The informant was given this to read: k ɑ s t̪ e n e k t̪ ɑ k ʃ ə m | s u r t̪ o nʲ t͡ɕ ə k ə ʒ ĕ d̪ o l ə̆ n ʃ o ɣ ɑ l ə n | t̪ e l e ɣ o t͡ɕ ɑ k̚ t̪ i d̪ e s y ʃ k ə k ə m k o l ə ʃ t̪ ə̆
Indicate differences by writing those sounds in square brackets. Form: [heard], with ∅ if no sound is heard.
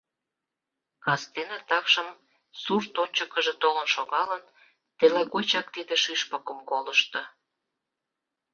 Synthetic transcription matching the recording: k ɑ s t̪ e n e [∅] t̪ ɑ k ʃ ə m | s u r t̪ o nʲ t͡ɕ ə k ə ʒ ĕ [t̪] o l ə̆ n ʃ o ɣ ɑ l ə n | t̪ e l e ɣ o t͡ɕ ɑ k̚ t̪ i d̪ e [ʃ] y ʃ [p] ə k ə m k o l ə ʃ t̪ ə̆